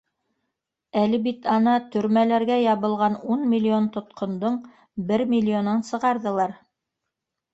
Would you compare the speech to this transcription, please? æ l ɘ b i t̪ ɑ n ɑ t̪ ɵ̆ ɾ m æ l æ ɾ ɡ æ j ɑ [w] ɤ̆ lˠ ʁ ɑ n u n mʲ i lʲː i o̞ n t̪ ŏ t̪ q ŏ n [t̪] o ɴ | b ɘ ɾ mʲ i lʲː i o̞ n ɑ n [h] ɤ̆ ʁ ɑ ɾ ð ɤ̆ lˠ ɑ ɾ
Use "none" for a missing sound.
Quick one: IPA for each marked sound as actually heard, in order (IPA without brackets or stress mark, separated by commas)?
β, d̪, s